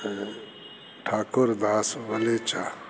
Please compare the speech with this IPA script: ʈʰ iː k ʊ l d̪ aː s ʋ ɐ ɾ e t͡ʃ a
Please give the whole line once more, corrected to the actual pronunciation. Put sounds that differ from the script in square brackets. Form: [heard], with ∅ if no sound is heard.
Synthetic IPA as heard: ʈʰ [aː] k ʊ [ɾ] d̪ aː s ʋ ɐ [l] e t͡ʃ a